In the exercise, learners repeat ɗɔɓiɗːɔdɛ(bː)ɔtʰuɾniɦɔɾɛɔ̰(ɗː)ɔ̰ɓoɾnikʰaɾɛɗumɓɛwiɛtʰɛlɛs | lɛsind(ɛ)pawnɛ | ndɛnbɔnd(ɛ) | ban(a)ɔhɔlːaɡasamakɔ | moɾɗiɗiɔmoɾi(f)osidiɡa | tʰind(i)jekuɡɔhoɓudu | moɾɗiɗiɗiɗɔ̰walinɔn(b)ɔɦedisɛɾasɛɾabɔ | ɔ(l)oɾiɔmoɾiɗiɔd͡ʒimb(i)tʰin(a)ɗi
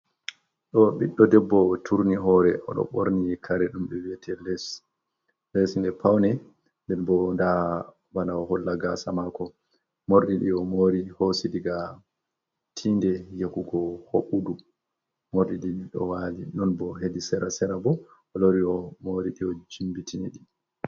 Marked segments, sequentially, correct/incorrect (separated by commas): correct, incorrect, correct, incorrect, correct, incorrect, incorrect, correct, correct, correct, incorrect